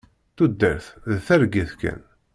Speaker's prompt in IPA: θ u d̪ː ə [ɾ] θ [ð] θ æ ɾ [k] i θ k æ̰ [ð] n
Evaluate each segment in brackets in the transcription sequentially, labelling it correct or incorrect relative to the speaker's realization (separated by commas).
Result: correct, correct, incorrect, incorrect